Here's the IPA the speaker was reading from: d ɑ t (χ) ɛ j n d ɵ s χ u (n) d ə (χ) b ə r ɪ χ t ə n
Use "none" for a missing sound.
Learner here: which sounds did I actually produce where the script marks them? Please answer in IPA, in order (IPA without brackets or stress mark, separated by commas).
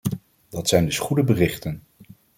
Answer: s, none, none